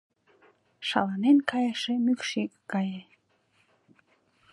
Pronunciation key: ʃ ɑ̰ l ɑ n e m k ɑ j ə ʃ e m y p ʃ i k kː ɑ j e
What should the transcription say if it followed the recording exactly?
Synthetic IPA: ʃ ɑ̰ l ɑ n e n k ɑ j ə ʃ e m y k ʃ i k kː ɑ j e